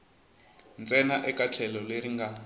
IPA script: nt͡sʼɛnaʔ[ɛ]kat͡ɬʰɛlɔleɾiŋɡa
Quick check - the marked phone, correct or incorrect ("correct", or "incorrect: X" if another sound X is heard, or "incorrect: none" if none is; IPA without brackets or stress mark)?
correct